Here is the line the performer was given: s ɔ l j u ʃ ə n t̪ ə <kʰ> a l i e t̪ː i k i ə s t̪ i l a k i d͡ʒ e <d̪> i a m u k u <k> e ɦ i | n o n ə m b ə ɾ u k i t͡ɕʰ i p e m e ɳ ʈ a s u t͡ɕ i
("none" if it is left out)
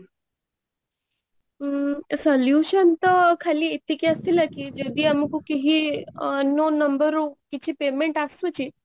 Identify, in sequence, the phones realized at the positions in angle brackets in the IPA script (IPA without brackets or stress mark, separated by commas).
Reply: kʰ, d̪, k